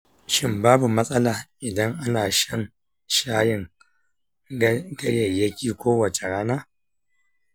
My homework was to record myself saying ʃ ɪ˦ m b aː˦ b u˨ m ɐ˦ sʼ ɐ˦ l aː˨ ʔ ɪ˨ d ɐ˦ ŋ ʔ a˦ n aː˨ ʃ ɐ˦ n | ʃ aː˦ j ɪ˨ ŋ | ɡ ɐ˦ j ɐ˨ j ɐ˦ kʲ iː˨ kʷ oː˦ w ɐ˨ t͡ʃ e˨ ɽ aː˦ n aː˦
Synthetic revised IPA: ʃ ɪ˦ m b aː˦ b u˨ m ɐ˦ sʼ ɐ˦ l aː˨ ʔ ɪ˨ d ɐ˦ ŋ ʔ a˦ n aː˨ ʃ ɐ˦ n | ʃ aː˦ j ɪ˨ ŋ | ɡ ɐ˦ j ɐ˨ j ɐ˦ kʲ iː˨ kʷ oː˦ w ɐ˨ t͡ʃ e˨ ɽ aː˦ n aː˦